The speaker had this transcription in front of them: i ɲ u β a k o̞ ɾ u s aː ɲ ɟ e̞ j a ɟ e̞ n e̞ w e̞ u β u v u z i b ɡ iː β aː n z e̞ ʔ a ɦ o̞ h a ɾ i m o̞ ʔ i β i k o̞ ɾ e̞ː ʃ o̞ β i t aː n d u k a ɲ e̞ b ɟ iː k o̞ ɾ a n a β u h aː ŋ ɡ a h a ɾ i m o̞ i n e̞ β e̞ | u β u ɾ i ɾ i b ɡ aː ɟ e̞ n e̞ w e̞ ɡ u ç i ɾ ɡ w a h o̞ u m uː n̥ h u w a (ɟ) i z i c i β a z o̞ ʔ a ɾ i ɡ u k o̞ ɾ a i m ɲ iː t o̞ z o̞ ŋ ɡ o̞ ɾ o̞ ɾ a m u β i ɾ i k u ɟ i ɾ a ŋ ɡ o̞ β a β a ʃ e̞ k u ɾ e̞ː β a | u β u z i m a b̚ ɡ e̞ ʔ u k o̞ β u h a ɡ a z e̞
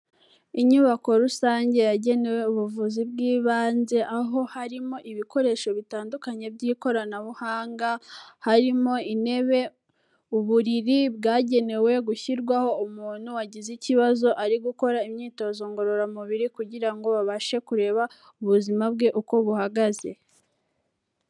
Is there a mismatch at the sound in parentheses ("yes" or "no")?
no